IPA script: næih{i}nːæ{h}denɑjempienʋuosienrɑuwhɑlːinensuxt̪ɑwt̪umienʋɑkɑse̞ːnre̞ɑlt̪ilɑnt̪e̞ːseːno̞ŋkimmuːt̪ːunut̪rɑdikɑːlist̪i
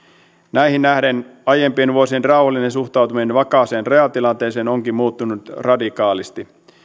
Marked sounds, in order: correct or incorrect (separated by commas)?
correct, correct